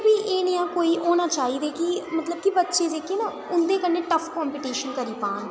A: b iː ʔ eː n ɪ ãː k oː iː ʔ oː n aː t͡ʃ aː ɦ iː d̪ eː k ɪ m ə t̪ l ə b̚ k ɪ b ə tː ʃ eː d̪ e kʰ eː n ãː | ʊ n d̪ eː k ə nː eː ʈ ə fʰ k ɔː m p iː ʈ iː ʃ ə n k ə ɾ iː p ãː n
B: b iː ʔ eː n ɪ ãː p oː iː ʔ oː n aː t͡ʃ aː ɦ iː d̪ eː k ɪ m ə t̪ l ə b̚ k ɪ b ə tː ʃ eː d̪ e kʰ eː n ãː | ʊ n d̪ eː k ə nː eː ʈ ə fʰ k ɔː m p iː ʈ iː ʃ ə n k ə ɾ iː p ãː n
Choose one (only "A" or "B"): A